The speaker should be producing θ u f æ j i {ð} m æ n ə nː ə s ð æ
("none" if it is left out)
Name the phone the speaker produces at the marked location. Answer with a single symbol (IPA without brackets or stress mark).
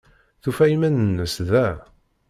none